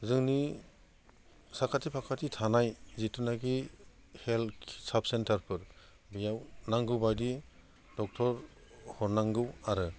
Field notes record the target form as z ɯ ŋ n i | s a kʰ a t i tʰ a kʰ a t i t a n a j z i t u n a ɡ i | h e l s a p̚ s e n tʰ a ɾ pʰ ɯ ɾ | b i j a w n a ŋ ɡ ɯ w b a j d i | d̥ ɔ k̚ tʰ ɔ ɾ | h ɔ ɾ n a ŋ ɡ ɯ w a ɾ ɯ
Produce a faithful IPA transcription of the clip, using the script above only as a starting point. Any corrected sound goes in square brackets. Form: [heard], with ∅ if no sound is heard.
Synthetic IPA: z ɯ ŋ n i | s a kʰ a t i [pʰ] a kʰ a t i [tʰ] a n a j z i t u n a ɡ i | h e l s a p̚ s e n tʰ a ɾ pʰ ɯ ɾ | b i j a w n a ŋ ɡ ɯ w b a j d i | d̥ ɔ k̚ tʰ ɔ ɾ | h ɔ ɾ n a ŋ ɡ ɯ w a ɾ ɯ